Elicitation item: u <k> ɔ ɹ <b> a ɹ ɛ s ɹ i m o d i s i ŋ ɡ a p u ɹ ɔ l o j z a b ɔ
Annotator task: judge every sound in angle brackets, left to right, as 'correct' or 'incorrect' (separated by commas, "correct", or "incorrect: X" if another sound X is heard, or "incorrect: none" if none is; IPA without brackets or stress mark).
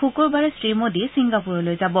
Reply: correct, correct